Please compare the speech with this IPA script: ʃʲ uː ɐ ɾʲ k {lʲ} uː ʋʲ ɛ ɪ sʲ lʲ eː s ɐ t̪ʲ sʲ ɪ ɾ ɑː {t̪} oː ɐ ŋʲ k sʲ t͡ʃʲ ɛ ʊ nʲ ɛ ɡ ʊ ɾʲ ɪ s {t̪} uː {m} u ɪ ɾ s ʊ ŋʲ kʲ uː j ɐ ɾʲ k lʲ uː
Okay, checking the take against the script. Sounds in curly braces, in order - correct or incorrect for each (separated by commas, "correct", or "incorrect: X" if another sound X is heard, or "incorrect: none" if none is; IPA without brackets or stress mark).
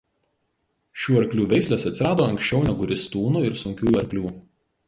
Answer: correct, incorrect: d̪, correct, incorrect: n